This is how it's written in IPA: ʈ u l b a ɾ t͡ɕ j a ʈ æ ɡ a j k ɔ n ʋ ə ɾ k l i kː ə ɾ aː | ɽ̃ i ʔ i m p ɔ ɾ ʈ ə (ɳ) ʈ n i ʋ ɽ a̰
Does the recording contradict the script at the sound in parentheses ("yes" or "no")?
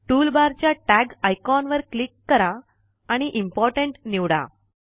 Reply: no